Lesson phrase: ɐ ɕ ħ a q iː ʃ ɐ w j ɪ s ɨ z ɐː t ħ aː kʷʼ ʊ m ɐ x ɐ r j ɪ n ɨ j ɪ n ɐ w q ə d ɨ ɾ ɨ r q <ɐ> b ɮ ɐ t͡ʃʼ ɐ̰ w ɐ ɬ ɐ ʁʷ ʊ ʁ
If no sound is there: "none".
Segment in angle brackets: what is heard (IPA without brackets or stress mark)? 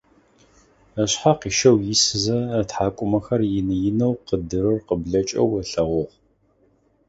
ə